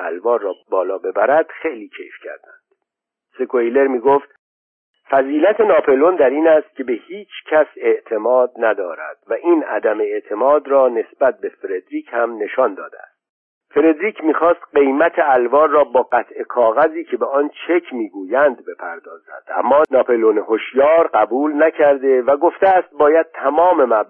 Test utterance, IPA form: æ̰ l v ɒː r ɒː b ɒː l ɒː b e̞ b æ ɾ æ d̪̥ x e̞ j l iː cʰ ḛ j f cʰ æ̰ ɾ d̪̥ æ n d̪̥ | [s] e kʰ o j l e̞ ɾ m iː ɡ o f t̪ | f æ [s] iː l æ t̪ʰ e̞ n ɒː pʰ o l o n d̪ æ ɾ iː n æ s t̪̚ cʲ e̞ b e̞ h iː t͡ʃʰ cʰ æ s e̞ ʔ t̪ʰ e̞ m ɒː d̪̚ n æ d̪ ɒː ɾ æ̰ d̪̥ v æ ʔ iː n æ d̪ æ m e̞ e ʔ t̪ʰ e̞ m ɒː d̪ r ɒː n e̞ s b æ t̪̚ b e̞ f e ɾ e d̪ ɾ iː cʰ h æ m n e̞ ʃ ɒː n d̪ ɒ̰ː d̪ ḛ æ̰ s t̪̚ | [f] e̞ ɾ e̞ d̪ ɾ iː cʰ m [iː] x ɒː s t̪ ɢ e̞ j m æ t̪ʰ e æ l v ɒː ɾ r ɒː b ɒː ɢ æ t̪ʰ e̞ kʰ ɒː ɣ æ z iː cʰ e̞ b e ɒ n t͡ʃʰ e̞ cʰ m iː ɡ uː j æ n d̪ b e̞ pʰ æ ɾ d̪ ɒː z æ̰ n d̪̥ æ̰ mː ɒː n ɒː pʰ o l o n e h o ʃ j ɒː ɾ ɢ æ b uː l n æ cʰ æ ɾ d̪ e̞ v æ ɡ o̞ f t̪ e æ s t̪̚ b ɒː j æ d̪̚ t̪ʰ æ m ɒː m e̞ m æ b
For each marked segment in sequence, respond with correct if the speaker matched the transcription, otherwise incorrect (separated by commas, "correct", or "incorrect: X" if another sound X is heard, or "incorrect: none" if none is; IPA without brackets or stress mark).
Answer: correct, incorrect: z, correct, correct